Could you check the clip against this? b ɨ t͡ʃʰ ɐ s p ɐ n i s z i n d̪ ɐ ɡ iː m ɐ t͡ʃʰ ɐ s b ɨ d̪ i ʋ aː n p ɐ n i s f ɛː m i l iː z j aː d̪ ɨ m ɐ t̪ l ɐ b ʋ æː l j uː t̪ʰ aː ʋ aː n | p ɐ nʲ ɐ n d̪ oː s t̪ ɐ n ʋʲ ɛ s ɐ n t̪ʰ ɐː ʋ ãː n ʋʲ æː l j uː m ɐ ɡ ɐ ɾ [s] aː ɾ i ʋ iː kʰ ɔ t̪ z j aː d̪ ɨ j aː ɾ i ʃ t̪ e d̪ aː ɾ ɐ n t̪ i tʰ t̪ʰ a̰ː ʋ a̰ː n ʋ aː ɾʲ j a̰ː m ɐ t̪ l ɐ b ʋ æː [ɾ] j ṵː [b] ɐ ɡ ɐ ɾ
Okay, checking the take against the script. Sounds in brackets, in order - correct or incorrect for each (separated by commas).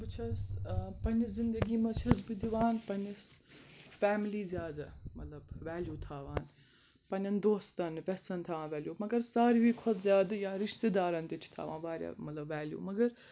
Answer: correct, incorrect, incorrect